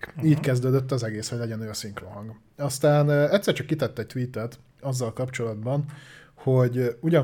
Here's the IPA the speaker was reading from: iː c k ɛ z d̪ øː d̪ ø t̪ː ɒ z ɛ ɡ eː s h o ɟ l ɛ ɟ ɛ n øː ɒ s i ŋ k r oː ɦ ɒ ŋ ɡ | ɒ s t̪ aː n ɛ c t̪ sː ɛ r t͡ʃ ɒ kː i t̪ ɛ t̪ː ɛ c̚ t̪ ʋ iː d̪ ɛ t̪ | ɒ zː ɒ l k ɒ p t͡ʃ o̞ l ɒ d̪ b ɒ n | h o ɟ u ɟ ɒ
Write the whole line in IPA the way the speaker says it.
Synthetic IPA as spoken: iː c k ɛ z d̪ øː d̪ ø t̪ː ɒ z ɛ ɡ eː s h o ɟ l ɛ ɟ ɛ n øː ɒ s i ŋ k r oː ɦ ɒ ŋ ɡ | ɒ s t̪ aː n ɛ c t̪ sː ɛ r t͡ʃ ɒ kː i t̪ ɛ t̪ː ɛ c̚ t̪ ʋ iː t̪ ɛ t̪ | ɒ zː ɒ l k ɒ p t͡ʃ o̞ l ɒ d̪ b ɒ n | h o ɟ u ɟ ɒ